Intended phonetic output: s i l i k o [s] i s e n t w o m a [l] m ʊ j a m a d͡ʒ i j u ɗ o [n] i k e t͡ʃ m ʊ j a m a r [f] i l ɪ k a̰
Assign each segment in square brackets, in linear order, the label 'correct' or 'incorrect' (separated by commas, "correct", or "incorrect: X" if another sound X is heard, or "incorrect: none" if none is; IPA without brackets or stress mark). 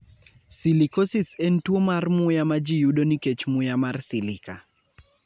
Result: correct, incorrect: r, correct, incorrect: s